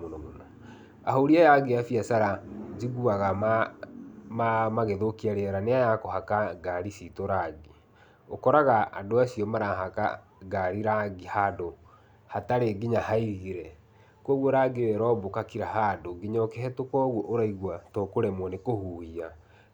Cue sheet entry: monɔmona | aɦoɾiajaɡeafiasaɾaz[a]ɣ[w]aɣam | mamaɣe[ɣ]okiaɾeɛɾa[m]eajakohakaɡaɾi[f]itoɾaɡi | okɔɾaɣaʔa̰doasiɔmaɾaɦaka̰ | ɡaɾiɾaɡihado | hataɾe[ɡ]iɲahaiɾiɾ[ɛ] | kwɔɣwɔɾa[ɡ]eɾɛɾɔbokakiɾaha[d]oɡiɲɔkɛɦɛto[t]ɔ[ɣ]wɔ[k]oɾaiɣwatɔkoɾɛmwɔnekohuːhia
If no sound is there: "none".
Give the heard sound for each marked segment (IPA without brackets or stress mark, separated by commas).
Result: i, u, ð, n, s, ɡ, ɛ, ɡ, d, k, ɣ, ʔ